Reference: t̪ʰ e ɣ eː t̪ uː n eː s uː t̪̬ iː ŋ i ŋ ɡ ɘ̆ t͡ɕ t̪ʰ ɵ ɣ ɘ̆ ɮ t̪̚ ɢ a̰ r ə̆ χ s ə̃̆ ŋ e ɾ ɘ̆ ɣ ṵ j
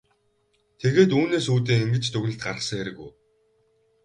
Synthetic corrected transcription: t̪ʰ e ɣ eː t̪ uː n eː s uː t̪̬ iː ŋ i ŋ ɡ ɘ̆ t͡ɕ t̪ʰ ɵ ɣ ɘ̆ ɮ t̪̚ ɢ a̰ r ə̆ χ s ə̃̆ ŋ e ɾ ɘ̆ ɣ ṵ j